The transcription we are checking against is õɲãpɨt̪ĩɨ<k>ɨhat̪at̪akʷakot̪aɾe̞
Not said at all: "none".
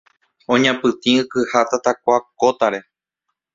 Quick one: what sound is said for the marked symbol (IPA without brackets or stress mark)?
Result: k